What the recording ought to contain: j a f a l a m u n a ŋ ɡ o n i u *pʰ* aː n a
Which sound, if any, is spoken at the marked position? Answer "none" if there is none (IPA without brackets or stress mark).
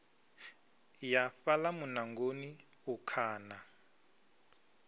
kʰ